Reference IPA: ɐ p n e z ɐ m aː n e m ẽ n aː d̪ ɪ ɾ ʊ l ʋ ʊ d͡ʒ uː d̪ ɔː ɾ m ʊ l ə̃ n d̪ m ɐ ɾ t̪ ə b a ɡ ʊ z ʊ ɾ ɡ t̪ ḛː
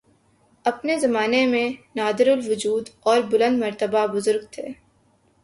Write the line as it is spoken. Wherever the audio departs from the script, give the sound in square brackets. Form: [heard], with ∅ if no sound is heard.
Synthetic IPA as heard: ɐ p n e z ɐ m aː n e m ẽ n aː d̪ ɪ ɾ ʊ l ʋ ʊ d͡ʒ uː d̪ ɔː ɾ [b] ʊ l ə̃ n d̪ m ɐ ɾ t̪ ə b a [b] ʊ z ʊ ɾ ɡ [t̪ʰ] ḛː

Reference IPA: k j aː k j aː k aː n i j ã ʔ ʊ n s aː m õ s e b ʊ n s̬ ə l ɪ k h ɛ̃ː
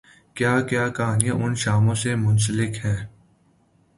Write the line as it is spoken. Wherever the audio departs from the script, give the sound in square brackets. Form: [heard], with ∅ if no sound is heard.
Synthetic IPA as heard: k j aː k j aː k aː n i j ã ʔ ʊ n [ʃ] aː m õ s e [m] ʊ n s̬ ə l ɪ k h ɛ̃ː

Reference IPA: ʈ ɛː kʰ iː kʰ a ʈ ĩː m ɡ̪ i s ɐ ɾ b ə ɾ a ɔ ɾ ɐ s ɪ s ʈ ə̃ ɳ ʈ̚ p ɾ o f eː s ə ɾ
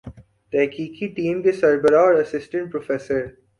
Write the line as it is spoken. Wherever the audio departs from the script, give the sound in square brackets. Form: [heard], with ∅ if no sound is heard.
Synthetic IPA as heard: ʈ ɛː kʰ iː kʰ [i] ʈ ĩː m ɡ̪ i s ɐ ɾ b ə ɾ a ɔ ɾ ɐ s ɪ s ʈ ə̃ ɳ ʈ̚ p ɾ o f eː s ə ɾ

